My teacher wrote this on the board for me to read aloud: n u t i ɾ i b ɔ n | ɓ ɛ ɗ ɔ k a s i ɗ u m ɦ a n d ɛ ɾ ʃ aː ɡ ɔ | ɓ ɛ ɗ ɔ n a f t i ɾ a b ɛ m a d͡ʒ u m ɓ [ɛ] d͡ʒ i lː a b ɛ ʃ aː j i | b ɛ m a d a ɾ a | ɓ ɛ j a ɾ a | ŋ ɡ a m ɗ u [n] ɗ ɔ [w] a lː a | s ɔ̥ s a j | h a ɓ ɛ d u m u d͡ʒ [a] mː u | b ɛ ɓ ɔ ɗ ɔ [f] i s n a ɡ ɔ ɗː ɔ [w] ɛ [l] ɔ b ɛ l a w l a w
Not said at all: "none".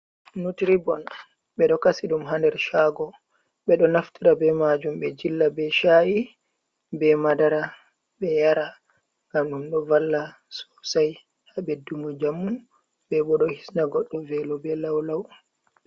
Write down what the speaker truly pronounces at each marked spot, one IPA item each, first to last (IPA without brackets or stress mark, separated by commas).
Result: ɛ, m, v, a, h, v, l